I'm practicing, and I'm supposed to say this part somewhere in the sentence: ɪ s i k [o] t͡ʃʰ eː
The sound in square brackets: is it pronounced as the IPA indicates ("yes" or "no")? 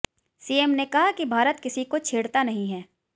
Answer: yes